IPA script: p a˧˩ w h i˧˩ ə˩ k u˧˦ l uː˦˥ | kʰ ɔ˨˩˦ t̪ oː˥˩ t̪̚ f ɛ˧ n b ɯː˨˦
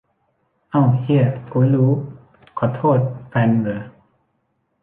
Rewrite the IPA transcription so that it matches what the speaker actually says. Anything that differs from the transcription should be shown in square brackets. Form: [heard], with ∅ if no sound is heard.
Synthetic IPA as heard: [ʔ] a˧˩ w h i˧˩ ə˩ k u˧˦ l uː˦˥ | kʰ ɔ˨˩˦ [t̪ʰ] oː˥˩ t̪̚ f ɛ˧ n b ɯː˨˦